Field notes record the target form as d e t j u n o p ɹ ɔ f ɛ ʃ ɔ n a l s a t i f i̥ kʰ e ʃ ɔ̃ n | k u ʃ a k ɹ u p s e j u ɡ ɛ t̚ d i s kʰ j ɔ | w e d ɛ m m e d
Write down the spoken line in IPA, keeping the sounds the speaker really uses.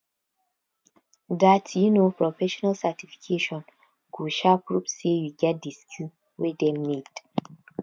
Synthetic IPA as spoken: d a t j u n o p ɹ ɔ f ɛ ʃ ɔ n a l s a t i f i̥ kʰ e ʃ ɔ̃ n | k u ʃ a p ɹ u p s e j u ɡ ɛ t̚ d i s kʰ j u | w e d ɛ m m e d